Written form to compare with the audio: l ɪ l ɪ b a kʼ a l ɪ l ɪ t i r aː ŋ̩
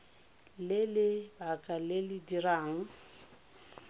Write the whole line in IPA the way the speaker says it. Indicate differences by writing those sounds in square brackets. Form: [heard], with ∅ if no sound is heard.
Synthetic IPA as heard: l ɪ l ɪ b a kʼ a l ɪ l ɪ [d] i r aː ŋ̩